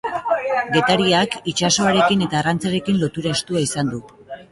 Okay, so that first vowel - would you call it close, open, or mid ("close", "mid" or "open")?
mid